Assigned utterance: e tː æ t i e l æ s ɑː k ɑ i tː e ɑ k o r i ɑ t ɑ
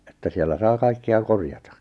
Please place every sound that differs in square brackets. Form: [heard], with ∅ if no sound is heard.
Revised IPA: e tː æ [s] i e [lː] æ s ɑː k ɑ i [kː] e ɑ k o r [j] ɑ t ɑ